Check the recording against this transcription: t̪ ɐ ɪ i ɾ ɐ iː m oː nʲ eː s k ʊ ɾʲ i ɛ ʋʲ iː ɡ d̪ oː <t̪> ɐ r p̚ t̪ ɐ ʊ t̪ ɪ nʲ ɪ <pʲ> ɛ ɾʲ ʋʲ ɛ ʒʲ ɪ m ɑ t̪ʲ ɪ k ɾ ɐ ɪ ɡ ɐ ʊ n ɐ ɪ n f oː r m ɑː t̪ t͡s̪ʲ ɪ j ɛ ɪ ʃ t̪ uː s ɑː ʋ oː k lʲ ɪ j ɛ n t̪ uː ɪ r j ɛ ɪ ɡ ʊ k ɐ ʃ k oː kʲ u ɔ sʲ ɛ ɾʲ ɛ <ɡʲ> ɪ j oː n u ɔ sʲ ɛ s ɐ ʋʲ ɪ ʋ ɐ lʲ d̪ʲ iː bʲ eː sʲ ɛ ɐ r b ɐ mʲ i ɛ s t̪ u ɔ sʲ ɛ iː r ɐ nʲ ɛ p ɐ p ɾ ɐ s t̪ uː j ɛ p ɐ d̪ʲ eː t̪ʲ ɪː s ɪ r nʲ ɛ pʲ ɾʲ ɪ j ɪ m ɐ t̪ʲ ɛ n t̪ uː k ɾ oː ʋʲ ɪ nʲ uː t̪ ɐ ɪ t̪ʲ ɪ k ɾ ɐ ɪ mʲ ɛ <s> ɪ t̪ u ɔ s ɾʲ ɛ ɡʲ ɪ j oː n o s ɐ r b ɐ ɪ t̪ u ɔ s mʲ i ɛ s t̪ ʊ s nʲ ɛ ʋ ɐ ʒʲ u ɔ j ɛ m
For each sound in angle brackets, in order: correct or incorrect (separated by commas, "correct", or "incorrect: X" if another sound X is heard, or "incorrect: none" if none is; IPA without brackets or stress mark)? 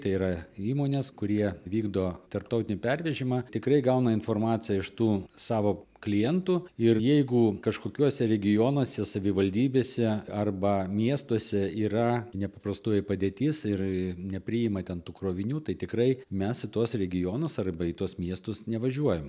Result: correct, correct, correct, correct